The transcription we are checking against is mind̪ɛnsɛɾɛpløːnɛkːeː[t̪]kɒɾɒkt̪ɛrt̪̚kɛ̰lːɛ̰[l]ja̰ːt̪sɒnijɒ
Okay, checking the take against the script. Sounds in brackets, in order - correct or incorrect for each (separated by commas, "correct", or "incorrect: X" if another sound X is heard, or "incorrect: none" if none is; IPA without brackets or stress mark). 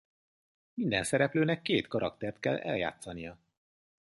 correct, correct